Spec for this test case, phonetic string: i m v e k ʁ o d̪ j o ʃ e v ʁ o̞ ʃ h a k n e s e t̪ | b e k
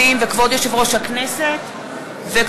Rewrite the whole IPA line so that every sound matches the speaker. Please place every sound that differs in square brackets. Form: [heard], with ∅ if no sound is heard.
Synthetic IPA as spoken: i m v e k [v] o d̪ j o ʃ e v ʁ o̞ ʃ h a k n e s e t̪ | [v] e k